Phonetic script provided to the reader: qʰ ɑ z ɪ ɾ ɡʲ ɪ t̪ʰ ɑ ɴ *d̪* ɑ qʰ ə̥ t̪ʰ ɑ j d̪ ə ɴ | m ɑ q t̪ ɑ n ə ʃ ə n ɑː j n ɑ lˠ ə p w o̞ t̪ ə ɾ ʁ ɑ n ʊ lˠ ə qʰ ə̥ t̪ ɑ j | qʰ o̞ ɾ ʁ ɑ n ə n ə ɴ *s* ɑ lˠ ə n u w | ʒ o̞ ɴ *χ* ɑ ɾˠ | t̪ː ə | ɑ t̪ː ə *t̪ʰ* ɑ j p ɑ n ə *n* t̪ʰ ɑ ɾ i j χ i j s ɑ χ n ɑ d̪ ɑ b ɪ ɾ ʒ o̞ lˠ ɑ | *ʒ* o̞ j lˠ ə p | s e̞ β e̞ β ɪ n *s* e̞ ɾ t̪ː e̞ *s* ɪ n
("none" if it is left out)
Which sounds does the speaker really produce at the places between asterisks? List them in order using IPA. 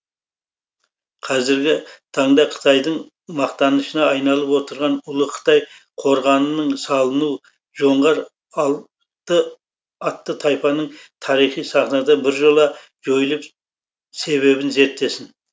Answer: d̪, s, ʁ, t̪ʰ, ɴ, ʒ, z, s

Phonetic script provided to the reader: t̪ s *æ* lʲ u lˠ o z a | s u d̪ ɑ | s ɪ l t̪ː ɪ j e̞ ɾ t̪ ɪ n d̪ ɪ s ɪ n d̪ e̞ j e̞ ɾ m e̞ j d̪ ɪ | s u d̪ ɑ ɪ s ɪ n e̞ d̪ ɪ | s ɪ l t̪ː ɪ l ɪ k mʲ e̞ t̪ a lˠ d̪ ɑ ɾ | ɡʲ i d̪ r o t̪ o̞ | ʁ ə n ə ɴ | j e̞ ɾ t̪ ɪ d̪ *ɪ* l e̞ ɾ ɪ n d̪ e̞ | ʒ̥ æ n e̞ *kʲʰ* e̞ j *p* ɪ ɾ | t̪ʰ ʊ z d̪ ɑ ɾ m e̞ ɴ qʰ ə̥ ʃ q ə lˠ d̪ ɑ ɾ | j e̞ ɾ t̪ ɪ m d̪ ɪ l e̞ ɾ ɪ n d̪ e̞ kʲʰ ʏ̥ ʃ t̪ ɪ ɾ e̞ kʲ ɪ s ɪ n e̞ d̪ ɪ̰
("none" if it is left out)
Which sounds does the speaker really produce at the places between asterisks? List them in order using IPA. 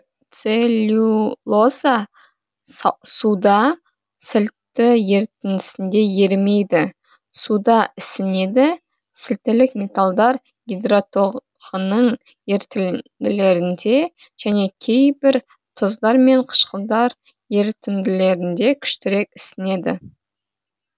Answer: e, ɪ, kʲʰ, b

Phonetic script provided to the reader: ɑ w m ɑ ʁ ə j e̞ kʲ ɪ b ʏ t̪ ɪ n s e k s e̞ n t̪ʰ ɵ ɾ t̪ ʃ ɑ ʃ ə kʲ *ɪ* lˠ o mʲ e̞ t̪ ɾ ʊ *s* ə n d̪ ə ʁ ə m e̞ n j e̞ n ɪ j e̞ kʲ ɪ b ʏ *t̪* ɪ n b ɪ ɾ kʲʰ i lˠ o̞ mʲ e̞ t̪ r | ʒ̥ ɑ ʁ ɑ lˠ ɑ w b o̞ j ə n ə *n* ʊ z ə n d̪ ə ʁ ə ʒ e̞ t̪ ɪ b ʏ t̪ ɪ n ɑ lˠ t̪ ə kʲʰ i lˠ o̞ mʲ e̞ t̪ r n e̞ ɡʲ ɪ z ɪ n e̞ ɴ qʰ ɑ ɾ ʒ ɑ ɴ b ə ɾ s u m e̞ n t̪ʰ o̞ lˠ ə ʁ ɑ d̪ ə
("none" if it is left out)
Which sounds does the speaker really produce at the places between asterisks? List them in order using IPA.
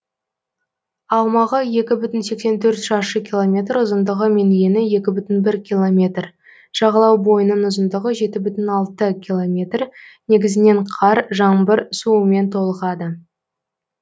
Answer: i, z, t̪, n

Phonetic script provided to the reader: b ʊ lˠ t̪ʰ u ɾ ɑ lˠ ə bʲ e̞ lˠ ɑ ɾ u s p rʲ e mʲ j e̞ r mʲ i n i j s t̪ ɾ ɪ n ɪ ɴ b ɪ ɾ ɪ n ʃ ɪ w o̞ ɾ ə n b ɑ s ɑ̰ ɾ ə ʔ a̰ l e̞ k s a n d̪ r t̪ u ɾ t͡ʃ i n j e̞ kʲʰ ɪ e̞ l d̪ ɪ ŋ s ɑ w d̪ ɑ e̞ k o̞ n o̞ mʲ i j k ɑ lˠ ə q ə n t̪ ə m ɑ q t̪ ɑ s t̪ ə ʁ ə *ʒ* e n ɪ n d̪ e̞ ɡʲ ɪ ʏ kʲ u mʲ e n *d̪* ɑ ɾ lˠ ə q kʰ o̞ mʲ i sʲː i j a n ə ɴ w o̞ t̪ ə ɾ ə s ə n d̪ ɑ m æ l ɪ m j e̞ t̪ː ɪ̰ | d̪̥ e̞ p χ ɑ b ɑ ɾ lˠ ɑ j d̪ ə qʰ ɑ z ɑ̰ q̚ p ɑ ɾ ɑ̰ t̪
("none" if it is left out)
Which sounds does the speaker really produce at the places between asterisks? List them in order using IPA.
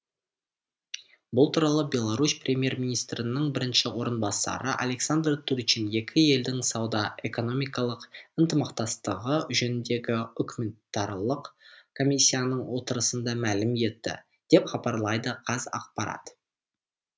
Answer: ʒ, t̪

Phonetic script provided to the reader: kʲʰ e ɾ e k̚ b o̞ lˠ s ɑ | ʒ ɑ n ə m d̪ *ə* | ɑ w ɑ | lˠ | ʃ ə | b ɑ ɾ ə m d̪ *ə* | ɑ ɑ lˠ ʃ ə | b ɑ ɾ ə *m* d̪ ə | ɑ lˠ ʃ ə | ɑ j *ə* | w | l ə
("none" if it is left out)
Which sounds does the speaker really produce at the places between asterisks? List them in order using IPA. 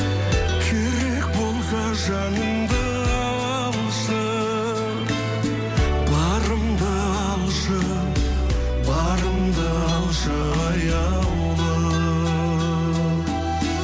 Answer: ə, ə, m, ɑ

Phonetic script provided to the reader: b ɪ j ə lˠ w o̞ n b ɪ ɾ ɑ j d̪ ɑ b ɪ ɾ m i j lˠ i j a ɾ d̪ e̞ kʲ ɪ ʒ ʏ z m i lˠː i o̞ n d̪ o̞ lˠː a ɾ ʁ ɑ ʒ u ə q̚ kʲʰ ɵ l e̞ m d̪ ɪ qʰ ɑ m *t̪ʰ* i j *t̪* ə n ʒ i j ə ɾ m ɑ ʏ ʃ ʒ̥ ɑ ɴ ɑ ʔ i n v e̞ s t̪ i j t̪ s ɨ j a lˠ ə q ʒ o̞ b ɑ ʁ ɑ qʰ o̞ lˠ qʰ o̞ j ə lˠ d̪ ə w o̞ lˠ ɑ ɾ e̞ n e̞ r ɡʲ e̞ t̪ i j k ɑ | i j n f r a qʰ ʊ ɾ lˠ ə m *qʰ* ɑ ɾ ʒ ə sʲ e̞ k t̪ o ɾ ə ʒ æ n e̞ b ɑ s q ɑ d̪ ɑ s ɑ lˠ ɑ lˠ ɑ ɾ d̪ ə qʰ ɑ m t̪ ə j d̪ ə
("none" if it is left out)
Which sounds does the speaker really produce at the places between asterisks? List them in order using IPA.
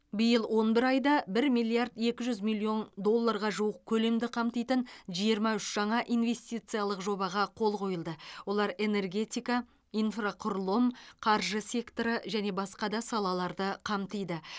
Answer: t̪, t̪, qʰ

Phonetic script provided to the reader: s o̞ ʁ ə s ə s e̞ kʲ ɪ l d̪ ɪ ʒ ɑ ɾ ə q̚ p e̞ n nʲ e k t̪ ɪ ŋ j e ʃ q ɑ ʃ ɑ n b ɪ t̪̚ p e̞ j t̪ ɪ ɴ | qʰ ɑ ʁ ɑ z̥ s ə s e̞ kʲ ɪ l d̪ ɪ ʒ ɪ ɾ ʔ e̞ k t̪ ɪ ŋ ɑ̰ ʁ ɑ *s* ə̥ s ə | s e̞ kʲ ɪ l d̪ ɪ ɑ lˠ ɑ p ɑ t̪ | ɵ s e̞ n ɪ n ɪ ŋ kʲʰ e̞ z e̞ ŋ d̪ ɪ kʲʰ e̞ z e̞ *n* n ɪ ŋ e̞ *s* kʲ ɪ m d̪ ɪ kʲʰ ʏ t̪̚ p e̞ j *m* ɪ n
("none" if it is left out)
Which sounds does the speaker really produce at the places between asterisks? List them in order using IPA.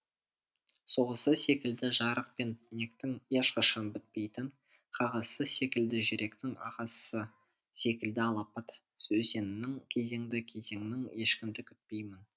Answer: s, ŋ, ʃ, m

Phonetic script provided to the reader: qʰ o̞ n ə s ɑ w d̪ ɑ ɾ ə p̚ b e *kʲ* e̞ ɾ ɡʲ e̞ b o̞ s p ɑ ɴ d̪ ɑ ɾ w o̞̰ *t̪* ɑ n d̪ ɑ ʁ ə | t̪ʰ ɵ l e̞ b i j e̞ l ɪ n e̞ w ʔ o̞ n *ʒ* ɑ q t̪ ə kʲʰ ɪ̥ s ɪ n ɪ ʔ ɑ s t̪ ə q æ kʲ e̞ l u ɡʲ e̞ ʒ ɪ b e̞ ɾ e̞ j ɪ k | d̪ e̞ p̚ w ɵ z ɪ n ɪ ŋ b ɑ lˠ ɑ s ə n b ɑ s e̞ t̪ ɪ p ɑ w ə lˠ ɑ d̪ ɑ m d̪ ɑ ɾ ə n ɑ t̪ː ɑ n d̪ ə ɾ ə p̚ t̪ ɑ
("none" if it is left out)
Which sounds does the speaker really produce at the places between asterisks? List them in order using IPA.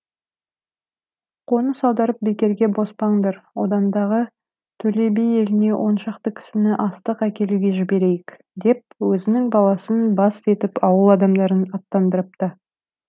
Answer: kʲ, d̪, ʃ

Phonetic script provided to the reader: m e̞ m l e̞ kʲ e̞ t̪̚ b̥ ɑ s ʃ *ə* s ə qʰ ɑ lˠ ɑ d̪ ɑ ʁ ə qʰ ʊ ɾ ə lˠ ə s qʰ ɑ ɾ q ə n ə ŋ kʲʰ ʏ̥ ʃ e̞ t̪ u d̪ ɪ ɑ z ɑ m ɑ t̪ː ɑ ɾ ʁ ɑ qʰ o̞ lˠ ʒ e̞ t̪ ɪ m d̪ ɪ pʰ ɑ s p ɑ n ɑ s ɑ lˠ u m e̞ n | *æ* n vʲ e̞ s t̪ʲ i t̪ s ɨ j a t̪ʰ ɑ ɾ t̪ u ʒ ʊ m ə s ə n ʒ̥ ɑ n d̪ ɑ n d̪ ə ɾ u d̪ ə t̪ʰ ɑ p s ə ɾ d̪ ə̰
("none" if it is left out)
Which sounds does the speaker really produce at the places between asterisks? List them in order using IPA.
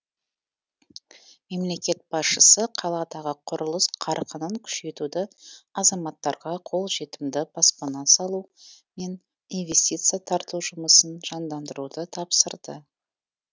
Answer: ə, i

